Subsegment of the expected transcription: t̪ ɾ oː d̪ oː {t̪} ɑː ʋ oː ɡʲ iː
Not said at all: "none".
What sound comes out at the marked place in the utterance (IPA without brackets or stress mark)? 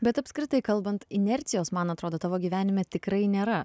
t̪